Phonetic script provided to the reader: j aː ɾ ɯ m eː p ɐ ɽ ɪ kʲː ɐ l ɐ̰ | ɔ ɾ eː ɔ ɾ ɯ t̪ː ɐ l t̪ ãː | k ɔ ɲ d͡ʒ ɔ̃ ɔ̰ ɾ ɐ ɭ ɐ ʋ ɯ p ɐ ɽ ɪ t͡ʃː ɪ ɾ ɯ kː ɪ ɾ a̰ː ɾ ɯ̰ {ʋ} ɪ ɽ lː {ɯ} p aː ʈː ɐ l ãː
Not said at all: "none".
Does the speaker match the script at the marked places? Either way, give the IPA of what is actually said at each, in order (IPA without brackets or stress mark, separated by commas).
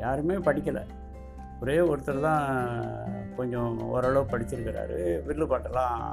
ʋ, ɯ